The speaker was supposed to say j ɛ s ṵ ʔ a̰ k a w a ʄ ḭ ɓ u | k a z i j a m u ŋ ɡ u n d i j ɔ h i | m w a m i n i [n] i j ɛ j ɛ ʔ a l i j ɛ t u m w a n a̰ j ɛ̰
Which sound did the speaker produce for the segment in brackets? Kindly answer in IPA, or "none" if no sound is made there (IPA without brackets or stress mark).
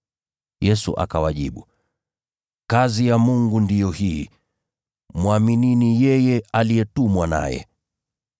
n